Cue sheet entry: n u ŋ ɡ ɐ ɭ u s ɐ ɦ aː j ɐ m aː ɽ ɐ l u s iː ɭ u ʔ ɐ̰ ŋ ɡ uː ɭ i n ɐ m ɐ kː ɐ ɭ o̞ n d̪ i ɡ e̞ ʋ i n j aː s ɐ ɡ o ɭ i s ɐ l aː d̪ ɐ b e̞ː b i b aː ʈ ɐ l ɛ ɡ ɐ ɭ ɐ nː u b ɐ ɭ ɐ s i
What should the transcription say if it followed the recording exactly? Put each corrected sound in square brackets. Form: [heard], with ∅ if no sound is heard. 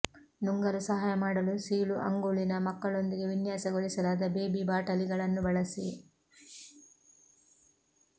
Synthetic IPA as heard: n u ŋ ɡ ɐ [ɾ] u s ɐ ɦ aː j ɐ m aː ɽ ɐ l u s iː ɭ u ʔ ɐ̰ ŋ ɡ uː ɭ i n ɐ m ɐ kː ɐ ɭ o̞ n d̪ i ɡ e̞ ʋ i n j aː s ɐ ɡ o ɭ i s ɐ l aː d̪ ɐ b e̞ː b i b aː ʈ ɐ l [i] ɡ ɐ ɭ ɐ nː u b ɐ ɭ ɐ s i